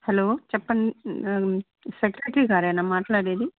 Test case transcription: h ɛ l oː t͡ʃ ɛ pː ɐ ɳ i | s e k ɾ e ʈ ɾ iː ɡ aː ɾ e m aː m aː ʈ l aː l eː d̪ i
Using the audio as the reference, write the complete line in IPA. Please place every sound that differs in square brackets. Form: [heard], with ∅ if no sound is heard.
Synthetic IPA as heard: h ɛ l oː t͡ʃ ɛ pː ɐ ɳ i | s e k ɾ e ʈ ɾ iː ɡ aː ɾ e [n] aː m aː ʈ l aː [ɽ] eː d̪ i